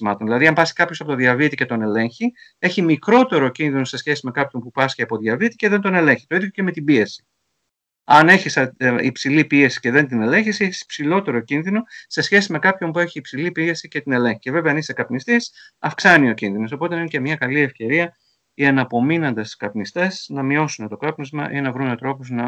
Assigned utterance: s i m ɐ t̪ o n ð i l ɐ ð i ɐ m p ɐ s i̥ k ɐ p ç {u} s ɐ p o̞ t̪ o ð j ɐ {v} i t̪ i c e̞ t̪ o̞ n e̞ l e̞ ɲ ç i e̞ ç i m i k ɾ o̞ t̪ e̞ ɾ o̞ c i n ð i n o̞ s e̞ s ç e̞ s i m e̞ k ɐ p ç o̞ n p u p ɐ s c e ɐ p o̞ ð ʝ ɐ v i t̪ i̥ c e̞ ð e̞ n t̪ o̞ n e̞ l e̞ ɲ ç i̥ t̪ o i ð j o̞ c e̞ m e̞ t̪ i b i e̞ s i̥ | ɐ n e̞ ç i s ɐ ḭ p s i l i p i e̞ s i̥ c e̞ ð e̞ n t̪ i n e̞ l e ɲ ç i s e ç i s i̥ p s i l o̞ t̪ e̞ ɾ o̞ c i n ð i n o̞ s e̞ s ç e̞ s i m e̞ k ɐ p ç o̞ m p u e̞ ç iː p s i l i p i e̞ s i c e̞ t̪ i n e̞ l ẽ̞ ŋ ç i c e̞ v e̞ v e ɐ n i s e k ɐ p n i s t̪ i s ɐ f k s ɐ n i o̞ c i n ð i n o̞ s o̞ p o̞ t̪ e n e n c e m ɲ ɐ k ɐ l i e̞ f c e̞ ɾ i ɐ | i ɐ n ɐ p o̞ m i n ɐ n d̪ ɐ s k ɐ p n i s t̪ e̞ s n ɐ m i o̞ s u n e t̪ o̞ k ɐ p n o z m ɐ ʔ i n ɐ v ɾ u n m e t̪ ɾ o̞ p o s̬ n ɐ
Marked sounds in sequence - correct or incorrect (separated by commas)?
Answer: incorrect, correct